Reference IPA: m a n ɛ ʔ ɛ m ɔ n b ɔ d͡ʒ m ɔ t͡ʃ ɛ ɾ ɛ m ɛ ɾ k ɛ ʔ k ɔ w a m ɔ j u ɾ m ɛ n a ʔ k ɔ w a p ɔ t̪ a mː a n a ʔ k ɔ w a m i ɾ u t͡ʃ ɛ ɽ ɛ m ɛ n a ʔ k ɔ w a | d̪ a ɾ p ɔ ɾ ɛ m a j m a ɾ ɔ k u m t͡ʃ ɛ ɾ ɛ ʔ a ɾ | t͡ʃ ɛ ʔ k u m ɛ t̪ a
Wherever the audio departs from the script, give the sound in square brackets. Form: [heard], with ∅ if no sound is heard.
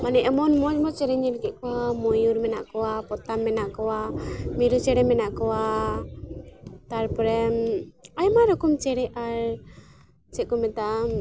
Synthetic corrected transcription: m a n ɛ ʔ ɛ m ɔ n [m] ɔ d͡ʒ m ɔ t͡ʃ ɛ ɾ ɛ [ɲ] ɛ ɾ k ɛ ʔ k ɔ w a m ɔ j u ɾ m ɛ n a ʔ k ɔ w a p ɔ t̪ a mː [ɛ] n a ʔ k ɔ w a m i ɾ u t͡ʃ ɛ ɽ ɛ m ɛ n a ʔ k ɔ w a | [t̪] a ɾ p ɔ ɾ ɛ m a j m a ɾ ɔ k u m t͡ʃ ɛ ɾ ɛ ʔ a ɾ | t͡ʃ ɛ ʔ k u m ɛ t̪ a